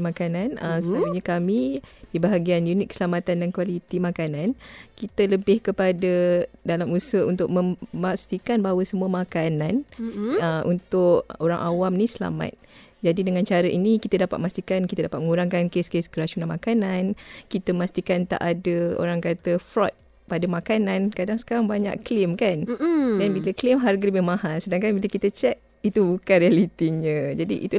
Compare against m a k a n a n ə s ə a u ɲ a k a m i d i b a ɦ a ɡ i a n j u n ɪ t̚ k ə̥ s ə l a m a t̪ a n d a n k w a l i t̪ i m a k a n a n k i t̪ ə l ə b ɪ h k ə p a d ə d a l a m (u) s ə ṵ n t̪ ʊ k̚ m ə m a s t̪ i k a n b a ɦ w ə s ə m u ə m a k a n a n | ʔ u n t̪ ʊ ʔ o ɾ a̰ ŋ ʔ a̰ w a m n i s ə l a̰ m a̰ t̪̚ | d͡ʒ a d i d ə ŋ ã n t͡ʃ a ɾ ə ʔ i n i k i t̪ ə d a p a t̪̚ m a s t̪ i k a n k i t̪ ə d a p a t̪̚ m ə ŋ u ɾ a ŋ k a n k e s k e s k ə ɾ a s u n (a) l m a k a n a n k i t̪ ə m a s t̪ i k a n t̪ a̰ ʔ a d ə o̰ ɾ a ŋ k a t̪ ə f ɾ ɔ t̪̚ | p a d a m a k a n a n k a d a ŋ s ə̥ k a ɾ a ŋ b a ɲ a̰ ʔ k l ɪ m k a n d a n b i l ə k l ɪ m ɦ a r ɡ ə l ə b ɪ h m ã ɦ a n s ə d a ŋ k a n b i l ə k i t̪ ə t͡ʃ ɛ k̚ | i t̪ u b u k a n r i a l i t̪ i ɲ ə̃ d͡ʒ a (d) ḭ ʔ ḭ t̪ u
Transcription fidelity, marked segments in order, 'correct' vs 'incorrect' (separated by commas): correct, correct, correct